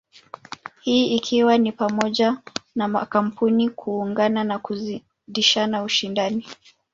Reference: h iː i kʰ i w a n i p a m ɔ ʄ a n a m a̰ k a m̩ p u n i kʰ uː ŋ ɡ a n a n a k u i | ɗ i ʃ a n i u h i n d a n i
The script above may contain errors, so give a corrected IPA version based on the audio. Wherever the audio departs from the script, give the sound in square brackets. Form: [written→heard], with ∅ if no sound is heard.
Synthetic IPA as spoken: h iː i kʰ i w a n i p a m ɔ ʄ a n a m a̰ k a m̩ p u n i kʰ uː ŋ ɡ a n a n a k u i | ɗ i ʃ a n [i→a] u [h→ʃ] i n d a n i